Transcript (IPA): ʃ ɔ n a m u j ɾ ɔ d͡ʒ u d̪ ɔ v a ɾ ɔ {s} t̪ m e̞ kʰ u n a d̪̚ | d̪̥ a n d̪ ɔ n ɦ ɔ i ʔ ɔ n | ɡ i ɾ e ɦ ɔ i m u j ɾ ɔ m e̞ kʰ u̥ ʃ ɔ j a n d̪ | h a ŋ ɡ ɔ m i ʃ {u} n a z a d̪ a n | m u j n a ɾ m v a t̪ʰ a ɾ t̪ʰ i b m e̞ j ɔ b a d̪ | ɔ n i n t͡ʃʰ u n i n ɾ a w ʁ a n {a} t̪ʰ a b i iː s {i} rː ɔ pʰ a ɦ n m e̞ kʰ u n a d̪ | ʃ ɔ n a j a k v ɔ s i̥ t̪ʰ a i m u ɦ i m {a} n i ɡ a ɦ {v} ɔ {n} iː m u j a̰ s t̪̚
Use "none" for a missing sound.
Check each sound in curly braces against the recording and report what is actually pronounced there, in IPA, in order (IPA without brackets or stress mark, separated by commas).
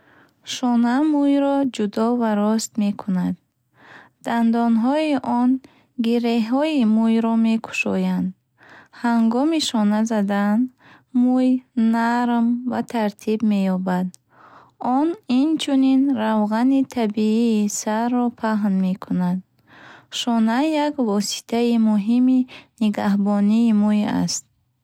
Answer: s, ɔ, i, a, i, b, n